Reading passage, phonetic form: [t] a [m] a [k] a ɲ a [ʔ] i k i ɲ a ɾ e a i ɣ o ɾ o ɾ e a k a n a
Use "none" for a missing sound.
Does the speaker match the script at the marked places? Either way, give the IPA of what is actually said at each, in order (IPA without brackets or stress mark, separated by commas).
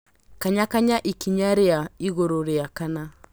k, ɲ, k, ʔ